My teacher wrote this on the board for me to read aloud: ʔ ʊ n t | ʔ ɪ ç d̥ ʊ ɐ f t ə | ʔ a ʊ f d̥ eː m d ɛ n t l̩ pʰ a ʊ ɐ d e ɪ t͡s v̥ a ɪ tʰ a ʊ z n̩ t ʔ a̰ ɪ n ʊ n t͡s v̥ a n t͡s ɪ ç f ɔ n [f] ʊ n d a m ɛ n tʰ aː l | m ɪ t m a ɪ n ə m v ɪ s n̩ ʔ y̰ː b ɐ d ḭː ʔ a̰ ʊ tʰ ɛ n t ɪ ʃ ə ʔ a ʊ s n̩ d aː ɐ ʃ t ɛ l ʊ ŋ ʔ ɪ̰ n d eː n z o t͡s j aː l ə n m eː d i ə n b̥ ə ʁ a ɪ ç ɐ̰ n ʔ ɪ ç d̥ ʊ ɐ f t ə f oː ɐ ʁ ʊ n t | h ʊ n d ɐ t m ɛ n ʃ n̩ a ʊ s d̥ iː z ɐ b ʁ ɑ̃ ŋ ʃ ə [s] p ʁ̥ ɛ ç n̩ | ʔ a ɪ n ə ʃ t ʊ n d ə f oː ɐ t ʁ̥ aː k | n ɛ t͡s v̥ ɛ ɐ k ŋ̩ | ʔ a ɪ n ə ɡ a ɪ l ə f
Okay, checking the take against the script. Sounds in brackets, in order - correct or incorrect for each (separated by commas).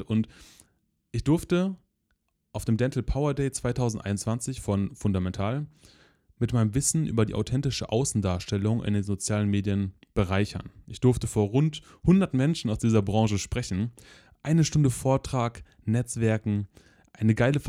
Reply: correct, incorrect